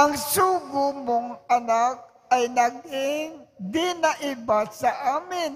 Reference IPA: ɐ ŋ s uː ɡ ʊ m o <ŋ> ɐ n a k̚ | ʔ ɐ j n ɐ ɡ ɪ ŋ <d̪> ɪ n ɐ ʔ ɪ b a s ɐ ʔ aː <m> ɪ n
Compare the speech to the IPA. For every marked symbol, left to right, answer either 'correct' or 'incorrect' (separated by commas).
correct, correct, correct